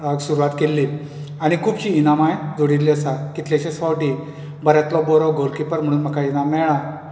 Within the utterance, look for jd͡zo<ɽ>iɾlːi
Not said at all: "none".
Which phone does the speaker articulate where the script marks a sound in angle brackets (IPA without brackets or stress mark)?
ɽ